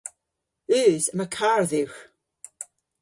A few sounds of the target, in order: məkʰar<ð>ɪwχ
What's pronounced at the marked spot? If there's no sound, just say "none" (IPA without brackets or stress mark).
ð